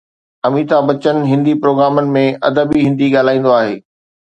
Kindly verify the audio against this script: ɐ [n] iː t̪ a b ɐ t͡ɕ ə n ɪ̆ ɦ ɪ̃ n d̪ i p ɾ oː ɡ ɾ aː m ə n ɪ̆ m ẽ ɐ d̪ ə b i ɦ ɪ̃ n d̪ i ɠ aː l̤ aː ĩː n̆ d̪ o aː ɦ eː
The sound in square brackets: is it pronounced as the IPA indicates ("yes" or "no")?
no